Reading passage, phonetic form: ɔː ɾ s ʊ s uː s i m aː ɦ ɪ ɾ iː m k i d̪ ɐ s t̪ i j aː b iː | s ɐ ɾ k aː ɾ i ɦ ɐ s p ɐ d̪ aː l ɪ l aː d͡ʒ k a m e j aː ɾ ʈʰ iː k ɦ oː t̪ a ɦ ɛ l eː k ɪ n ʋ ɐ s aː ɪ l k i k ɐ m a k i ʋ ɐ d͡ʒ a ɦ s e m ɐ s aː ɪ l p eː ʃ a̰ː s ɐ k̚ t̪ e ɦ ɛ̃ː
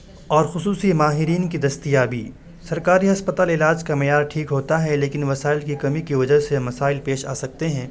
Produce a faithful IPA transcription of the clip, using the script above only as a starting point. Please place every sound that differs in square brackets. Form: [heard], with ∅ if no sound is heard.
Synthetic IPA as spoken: ɔː ɾ [x] ʊ s uː s i m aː ɦ ɪ ɾ iː [n] k i d̪ ɐ s t̪ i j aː b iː | s ɐ ɾ k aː ɾ i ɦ ɐ s p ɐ [t̪] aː l ɪ l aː d͡ʒ k a m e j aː ɾ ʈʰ iː k ɦ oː t̪ a ɦ ɛ l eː k ɪ n ʋ ɐ s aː ɪ l k i k ɐ m [i] k i ʋ ɐ d͡ʒ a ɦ s e m ɐ s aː ɪ l p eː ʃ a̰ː s ɐ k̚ t̪ e ɦ ɛ̃ː